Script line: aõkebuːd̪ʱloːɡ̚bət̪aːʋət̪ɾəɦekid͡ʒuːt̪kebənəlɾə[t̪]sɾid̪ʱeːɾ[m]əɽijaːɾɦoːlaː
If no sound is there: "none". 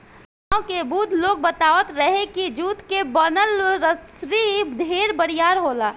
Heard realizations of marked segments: none, b

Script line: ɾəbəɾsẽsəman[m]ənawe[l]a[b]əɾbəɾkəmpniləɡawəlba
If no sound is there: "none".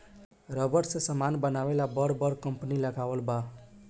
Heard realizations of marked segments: b, l, b

